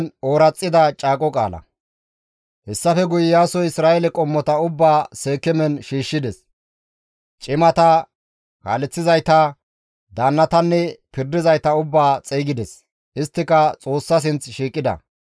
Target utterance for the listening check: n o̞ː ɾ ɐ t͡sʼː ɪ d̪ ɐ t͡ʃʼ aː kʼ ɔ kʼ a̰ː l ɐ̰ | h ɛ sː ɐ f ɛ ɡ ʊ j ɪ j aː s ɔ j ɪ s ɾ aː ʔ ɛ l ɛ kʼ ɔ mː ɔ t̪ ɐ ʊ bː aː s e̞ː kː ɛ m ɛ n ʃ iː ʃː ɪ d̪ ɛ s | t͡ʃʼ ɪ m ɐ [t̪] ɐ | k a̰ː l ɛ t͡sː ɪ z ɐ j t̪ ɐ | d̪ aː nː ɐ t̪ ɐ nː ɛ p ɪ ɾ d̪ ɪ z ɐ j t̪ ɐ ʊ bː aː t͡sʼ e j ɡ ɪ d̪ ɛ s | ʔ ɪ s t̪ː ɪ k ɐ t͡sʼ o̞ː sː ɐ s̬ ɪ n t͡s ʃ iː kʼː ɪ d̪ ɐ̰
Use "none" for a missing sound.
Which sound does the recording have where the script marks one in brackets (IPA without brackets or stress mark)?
t̪